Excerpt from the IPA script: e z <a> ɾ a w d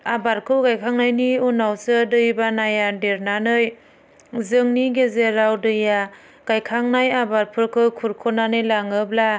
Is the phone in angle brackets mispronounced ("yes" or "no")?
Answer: yes